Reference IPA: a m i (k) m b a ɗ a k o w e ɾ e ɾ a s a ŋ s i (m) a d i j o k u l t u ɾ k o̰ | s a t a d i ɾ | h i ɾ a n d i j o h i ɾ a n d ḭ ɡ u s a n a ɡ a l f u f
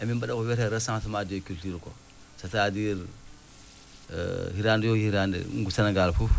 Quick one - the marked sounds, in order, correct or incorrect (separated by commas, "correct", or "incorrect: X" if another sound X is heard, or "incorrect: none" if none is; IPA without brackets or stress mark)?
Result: incorrect: none, correct